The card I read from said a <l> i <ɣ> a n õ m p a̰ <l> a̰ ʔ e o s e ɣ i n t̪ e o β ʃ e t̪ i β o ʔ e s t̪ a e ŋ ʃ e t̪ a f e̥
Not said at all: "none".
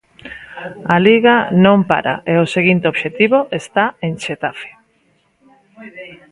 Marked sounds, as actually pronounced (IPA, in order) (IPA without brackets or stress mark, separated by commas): l, ɣ, ɾ